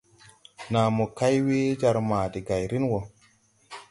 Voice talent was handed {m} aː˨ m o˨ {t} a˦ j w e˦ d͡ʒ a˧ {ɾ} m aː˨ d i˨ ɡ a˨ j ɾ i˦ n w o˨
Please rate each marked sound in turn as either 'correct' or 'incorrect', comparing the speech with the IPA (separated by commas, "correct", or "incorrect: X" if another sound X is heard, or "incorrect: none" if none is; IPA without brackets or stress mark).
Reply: incorrect: n, incorrect: k, correct